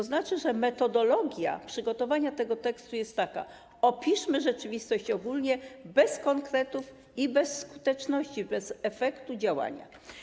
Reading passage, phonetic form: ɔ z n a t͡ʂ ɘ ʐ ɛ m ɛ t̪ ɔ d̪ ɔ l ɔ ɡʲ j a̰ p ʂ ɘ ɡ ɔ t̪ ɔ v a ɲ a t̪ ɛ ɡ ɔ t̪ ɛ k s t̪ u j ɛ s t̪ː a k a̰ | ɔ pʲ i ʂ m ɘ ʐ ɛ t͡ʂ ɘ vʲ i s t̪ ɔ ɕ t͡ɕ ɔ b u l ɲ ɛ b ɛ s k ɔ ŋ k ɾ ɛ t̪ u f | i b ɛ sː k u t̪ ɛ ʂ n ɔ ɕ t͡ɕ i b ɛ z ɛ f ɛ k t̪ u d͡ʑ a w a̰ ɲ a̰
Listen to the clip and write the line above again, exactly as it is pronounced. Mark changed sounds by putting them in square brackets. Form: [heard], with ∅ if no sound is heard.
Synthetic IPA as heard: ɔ z n a t͡ʂ ɘ ʐ ɛ m ɛ t̪ ɔ d̪ ɔ l ɔ ɡʲ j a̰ p ʂ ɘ ɡ ɔ t̪ ɔ v a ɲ a t̪ ɛ ɡ ɔ t̪ ɛ k s t̪ u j ɛ s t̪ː a k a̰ | ɔ pʲ i ʂ m ɘ ʐ ɛ t͡ʂ ɘ vʲ i s t̪ ɔ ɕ t͡ɕ ɔ [ɡ] u l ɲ ɛ b ɛ s k ɔ ŋ k ɾ ɛ t̪ u f | i b ɛ sː k u t̪ ɛ [t͡ʂ] n ɔ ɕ t͡ɕ i b ɛ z ɛ f ɛ k t̪ u d͡ʑ a w a̰ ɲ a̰